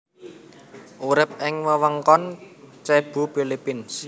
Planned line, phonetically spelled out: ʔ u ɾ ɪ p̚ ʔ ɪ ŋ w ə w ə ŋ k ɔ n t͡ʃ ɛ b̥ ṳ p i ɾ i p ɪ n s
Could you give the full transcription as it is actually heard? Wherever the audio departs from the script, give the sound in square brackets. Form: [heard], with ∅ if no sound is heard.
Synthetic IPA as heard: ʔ u ɾ ɪ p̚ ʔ ɪ ŋ w ə w ə ŋ k ɔ n t͡ʃ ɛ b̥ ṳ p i [l] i p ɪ n s

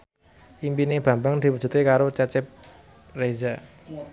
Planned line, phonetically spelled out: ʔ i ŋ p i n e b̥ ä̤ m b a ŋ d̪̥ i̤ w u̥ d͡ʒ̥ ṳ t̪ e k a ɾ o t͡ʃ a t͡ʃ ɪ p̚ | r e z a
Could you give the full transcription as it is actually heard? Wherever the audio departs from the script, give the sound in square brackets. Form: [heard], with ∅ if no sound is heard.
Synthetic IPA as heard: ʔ i [m] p i n e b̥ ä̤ m b a ŋ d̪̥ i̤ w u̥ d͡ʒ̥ ṳ t̪ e k a ɾ o t͡ʃ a t͡ʃ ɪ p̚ | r e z a

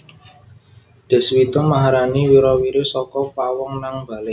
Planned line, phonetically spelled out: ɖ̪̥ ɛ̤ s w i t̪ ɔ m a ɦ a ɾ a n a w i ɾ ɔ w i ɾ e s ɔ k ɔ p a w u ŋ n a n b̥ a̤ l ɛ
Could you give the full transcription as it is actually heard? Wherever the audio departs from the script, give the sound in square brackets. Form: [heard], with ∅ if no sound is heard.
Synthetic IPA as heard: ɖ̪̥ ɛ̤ s w i t̪ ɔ m a ɦ a ɾ a n [i] w i ɾ ɔ w i ɾ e s ɔ k ɔ p a w [ɔ] ŋ n a [ŋ] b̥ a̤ l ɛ

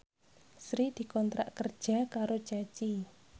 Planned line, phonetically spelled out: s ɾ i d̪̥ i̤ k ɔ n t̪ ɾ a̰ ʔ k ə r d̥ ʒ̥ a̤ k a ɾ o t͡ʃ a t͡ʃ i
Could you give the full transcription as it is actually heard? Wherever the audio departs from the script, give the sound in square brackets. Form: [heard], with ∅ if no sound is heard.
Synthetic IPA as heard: s ɾ i d̪̥ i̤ k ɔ n t̪ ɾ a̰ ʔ k ə r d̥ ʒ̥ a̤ k a ɾ o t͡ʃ a t͡ʃ i

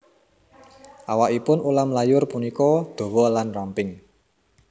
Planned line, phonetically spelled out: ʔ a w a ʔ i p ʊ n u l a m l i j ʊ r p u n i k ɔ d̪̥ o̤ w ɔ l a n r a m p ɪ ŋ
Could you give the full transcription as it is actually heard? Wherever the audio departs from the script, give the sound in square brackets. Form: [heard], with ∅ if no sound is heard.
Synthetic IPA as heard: ʔ a w a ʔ i p ʊ n u l a m l [a] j ʊ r p u n i k ɔ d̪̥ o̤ w ɔ l a n r a m p ɪ ŋ

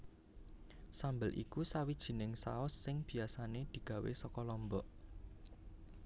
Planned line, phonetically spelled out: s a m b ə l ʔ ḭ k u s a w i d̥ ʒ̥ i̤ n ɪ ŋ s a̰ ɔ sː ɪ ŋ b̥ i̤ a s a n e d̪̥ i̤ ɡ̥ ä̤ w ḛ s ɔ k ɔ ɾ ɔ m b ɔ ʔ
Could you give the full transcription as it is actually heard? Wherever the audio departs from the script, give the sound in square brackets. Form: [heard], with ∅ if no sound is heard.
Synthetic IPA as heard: s a m b ə l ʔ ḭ k u s a w i d̥ ʒ̥ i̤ n ɪ ŋ s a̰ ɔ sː ɪ ŋ b̥ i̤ a s a n e d̪̥ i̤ ɡ̥ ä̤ w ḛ s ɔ k ɔ [l] ɔ m b ɔ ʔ

